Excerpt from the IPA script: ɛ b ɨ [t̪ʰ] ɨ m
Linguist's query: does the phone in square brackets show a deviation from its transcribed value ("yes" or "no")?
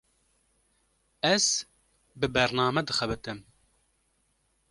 yes